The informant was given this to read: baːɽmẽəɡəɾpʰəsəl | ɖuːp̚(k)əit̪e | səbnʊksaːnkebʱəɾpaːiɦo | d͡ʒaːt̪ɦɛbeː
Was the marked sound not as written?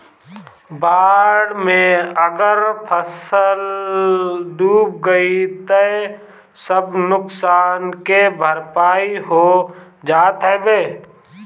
yes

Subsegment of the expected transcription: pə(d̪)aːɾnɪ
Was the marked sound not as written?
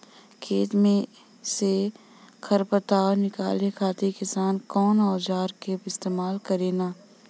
yes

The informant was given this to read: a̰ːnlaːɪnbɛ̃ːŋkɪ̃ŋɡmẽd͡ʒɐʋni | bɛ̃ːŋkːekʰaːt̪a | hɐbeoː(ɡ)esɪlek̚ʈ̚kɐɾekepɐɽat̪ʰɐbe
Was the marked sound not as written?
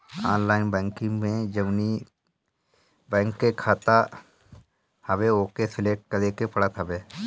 yes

